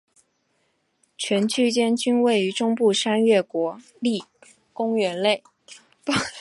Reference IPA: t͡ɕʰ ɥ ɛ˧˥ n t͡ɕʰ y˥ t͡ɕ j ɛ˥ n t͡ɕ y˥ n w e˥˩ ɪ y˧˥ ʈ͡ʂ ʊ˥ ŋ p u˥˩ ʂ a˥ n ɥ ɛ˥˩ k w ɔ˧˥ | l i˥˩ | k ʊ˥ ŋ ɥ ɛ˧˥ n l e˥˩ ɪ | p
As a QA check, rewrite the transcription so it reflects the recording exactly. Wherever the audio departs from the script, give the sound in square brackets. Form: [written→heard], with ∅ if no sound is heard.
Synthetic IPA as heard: t͡ɕʰ ɥ ɛ˧˥ n t͡ɕʰ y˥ t͡ɕ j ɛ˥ n t͡ɕ y˥ n w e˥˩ ɪ y˧˥ ʈ͡ʂ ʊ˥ ŋ p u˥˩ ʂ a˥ n ɥ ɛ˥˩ k w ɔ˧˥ | l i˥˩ | k ʊ˥ ŋ ɥ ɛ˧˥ n l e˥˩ ɪ | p